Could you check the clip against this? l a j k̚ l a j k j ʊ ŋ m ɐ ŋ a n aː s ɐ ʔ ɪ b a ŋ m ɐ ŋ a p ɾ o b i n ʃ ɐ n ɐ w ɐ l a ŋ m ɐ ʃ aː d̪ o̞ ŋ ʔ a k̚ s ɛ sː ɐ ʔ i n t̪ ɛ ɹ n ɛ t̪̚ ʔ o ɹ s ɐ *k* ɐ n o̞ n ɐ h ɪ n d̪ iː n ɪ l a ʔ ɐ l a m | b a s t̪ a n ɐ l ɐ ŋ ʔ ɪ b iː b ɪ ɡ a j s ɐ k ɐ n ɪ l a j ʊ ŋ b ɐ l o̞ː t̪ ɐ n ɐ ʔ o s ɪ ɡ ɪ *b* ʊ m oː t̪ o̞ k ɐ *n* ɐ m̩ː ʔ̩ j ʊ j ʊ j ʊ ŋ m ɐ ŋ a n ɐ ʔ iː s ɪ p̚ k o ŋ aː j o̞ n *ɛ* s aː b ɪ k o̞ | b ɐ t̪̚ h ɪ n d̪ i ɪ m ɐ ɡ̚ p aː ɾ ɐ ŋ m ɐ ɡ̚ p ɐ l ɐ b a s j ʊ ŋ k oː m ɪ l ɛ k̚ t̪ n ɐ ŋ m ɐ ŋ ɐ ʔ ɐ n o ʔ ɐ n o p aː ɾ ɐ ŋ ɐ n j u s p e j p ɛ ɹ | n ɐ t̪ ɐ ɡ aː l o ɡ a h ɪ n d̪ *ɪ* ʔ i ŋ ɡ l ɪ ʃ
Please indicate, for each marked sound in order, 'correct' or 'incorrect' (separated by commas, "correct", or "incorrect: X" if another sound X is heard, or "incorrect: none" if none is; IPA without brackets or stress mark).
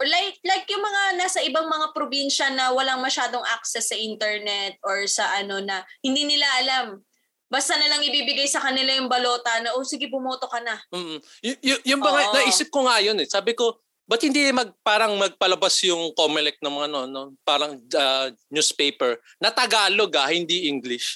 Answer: incorrect: ʔ, correct, correct, correct, incorrect: i